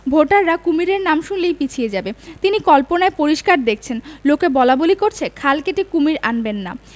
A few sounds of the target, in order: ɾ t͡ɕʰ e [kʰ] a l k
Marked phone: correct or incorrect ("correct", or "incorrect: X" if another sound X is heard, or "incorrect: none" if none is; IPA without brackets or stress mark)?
correct